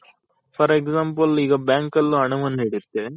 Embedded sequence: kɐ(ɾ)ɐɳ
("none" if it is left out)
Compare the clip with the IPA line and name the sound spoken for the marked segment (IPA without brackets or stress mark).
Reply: l